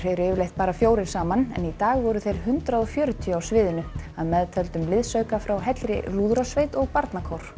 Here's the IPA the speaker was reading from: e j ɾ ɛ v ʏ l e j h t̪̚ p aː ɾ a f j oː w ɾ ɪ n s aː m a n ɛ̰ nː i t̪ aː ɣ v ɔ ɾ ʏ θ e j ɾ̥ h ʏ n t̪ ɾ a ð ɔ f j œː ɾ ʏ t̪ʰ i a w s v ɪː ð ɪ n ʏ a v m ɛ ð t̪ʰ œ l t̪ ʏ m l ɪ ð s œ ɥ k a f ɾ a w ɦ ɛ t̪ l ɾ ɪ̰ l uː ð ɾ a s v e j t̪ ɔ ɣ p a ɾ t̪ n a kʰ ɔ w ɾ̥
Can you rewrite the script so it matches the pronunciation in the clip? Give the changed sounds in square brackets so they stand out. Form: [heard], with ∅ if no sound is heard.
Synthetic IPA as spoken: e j ɾ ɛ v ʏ l e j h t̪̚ p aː ɾ a f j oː w ɾ ɪ n s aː m a n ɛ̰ [n] i t̪ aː ɣ v ɔ ɾ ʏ θ e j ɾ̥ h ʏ n t̪ ɾ a ð ɔ f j œː ɾ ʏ t̪ʰ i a w s v ɪː ð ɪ n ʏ a [ð] m ɛ ð t̪ʰ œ l t̪ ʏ m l ɪ ð s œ ɥ k a f ɾ a w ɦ ɛ t̪ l ɾ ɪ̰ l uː ð ɾ a s v e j t̪ ɔ ɣ p a ɾ t̪ n a kʰ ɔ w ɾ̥

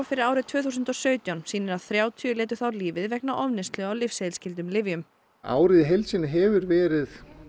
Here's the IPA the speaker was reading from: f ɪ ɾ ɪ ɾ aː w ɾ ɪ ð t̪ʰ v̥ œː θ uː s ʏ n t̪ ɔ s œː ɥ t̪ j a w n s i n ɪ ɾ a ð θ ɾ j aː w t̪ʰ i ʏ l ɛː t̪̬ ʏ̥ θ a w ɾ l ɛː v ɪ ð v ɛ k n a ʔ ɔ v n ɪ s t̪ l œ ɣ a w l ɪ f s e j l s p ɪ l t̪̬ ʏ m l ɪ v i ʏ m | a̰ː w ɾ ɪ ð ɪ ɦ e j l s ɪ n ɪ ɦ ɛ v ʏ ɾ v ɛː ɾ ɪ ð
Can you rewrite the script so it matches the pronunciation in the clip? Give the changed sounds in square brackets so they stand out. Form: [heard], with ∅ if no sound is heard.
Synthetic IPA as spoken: f ɪ ɾ ɪ ɾ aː w ɾ ɪ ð t̪ʰ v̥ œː θ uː s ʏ n t̪ ɔ s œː ɥ t̪ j a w n s [iː] n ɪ ɾ a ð θ ɾ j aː w t̪ʰ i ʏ l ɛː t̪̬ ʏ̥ θ a w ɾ l [iː] v ɪ ð v ɛ k n a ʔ ɔ v n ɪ s t̪ l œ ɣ a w l ɪ f s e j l s [c] ɪ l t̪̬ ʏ m l ɪ v [j] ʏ m | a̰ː w ɾ ɪ ð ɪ ɦ e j l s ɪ n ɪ ɦ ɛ v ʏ ɾ v ɛː ɾ ɪ ð

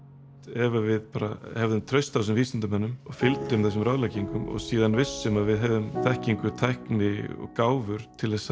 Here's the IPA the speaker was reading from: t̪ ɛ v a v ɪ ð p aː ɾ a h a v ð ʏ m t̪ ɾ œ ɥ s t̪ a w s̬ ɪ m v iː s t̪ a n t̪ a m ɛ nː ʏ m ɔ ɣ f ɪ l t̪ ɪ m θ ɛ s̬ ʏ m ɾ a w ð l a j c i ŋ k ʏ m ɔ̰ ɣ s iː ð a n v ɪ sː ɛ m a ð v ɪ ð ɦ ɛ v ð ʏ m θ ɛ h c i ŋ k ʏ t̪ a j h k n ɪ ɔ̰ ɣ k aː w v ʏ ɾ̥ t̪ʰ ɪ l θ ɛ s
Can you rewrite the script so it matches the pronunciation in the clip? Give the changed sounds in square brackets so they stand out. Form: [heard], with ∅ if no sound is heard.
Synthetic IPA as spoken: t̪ ɛ v a v ɪ ð p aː ɾ a h [ɛ] v ð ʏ m [t̪ʰ] ɾ œ ɥ s t̪ a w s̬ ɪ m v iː s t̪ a n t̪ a m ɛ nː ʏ m ɔ ɣ f ɪ l t̪ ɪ m θ ɛ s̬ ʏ m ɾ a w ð l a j c i ŋ k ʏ m ɔ̰ ɣ s iː ð a n v ɪ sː ɛ m a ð v ɪ ð ɦ ɛ v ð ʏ m θ ɛ h c i ŋ k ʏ [t̪ʰ] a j h k n ɪ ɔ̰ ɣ k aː w v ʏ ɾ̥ t̪ʰ ɪ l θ ɛ s

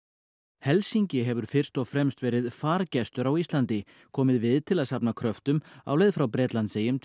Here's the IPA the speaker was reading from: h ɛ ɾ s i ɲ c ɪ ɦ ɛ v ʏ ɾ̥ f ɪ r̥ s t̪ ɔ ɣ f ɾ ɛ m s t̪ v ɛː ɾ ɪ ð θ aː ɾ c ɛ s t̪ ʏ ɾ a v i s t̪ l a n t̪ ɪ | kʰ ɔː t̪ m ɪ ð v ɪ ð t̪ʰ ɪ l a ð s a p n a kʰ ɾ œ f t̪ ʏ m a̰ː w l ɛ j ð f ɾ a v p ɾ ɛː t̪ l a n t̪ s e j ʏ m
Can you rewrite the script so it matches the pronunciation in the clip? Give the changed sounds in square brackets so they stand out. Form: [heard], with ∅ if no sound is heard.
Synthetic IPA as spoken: h ɛ [l] s i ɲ c ɪ ɦ ɛ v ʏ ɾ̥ f ɪ r̥ s t̪ ɔ ɣ f ɾ ɛ m s t̪ v ɛː ɾ ɪ ð [f] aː ɾ c ɛ s t̪ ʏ ɾ a [w] i s t̪ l a n t̪ ɪ | kʰ ɔː [∅] m ɪ ð v ɪ ð t̪ʰ ɪ l a ð s a p n a kʰ ɾ œ f t̪ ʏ m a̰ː w l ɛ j ð f ɾ a [w] p ɾ ɛː t̪ l a n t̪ s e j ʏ m

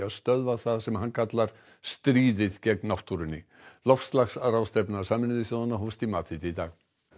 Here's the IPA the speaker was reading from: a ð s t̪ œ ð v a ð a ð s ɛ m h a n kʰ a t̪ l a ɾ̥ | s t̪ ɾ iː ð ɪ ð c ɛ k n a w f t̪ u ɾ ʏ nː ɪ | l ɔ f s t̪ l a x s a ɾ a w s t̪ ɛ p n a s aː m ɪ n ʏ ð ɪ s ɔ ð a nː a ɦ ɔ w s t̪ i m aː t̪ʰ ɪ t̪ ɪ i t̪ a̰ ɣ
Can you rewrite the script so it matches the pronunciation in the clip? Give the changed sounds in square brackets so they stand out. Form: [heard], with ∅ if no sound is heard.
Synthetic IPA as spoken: a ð s t̪ œ ð v a [θ] a ð s ɛ m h a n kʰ a t̪ l a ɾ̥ | s t̪ ɾ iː ð ɪ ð c ɛ k n a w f t̪ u ɾ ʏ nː ɪ | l ɔ f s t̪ l a x s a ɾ a w s t̪ ɛ p n a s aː m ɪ n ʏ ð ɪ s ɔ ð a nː a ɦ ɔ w s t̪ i m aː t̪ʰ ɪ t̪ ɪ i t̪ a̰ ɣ

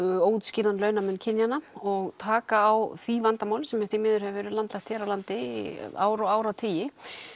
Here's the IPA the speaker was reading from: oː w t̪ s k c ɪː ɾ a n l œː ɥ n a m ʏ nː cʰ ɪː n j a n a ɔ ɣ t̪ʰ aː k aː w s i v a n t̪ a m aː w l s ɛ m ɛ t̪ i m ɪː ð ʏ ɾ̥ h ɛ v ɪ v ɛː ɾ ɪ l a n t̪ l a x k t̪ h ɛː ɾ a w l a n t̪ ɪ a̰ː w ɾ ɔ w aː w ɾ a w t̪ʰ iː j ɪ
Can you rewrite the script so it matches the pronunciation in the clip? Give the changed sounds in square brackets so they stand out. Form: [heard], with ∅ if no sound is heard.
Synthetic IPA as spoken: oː w t̪ s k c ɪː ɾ a n l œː ɥ n a m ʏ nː cʰ [ɪ] n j a n a ɔ ɣ t̪ʰ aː k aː w [θ] i v a n t̪ a m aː w l s ɛ m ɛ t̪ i m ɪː ð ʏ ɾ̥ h ɛ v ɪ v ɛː ɾ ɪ l a n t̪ l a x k t̪ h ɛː ɾ a w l a n t̪ ɪ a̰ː w ɾ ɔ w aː w ɾ a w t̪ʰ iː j ɪ

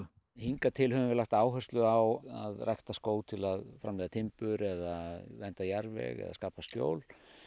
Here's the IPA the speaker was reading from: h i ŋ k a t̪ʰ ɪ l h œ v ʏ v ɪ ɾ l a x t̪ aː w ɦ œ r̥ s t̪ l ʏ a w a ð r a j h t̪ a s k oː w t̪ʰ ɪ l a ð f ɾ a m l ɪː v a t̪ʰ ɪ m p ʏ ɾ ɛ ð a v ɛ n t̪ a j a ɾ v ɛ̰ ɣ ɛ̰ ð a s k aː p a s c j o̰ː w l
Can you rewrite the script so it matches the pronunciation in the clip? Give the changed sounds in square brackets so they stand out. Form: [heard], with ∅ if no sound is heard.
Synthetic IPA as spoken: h i ŋ k a t̪ʰ ɪ l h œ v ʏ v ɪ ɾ l a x t̪ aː w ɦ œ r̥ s t̪ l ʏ a w a ð r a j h t̪ a s k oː w t̪ʰ ɪ l a ð f ɾ a m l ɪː [ð] a t̪ʰ ɪ m p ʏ ɾ ɛ ð a v ɛ n t̪ a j a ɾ v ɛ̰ ɣ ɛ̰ ð a s k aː p a s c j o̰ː w l

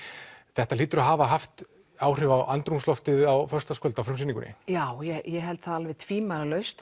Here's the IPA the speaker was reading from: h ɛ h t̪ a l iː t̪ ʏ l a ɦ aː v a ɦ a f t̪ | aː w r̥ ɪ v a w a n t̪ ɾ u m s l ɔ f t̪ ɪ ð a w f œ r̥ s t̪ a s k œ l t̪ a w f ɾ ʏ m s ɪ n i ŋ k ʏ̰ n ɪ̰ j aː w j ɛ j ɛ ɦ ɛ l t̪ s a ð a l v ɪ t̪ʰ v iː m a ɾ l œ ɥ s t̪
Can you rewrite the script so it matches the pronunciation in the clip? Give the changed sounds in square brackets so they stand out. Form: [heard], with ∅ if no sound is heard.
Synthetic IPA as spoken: [θ] ɛ h t̪ a l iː t̪ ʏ [ɾ] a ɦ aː v a ɦ a f t̪ | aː w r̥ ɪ v a w a n t̪ ɾ u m s l ɔ f t̪ ɪ ð a w f œ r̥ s t̪ a s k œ l t̪ a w f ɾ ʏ m s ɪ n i ŋ k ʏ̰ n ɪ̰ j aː w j ɛ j ɛ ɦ ɛ l t̪ [θ] a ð a l v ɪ t̪ʰ v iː m a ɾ l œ ɥ s t̪

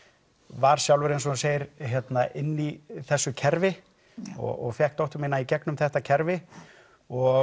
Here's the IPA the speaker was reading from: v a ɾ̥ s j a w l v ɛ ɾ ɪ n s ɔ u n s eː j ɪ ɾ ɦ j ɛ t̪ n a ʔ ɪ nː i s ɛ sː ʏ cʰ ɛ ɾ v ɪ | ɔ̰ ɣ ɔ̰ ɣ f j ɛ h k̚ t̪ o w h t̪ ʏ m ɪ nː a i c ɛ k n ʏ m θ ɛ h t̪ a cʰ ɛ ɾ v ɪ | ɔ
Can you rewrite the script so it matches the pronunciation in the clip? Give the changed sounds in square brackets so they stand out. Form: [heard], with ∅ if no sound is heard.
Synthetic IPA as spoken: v a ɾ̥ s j a w l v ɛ ɾ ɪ n s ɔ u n s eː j ɪ ɾ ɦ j ɛ t̪ n a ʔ ɪ nː i [θ] ɛ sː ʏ cʰ ɛ ɾ v ɪ | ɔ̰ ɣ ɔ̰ ɣ f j ɛ h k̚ t̪ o w h t̪ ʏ m ɪ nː a i c ɛ k n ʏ m θ ɛ h t̪ a cʰ ɛ ɾ v ɪ | ɔ

